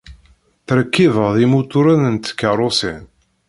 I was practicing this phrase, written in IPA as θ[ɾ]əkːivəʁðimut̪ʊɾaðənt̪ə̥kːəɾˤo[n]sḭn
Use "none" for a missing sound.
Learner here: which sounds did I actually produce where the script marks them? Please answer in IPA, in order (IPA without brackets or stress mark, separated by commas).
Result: ɾ, none